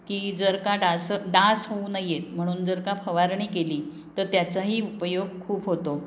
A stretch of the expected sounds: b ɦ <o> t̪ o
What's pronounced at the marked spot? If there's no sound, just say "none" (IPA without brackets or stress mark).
o